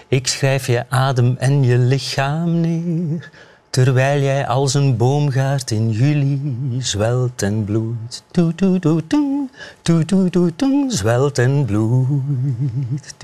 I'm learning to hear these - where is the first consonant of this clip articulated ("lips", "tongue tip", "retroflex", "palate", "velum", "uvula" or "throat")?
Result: velum